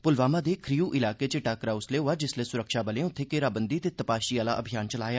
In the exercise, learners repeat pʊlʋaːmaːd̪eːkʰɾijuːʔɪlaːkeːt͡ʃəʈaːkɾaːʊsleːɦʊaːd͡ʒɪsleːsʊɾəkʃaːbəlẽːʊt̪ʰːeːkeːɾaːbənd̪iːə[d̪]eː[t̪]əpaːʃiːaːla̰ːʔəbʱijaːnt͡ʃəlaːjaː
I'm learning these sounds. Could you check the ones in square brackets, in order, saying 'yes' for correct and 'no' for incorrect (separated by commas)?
no, yes